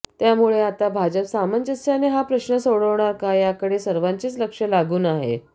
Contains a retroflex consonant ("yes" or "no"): yes